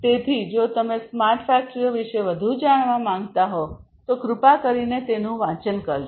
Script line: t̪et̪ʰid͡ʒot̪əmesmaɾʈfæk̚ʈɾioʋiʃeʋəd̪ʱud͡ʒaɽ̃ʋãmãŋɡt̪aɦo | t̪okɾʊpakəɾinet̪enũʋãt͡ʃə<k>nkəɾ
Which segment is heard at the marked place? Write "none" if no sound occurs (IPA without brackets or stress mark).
none